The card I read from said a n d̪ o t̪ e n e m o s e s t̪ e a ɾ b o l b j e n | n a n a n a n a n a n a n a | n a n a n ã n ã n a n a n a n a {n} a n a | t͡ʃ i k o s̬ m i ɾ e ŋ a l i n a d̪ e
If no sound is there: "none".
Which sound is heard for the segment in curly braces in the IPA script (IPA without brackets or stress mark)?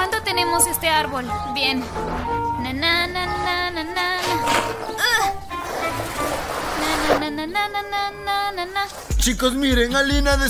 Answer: n